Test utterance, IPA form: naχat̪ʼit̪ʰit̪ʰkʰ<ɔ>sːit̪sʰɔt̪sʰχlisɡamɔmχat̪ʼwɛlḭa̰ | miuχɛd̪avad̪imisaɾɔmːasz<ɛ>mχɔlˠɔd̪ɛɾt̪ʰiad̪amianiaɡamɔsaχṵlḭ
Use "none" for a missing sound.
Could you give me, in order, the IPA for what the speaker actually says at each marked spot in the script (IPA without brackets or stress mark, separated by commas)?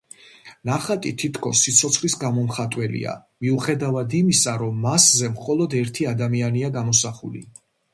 ɔ, ɛ